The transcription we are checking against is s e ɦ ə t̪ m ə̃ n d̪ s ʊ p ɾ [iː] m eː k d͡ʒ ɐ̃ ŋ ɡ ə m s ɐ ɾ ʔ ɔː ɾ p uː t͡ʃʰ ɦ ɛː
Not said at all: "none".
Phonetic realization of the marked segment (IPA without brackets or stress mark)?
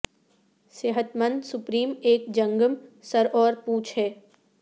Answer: iː